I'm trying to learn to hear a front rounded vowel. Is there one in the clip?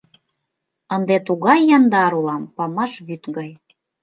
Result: yes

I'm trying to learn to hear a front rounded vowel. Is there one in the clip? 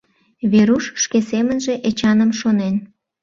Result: no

